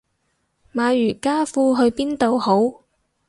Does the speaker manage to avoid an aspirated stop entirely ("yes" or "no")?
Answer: yes